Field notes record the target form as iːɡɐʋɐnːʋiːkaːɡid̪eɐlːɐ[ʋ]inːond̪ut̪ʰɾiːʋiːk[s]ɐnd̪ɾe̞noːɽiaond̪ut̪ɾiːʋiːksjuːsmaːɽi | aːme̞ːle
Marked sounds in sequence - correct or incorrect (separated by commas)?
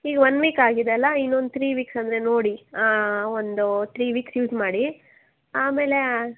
incorrect, correct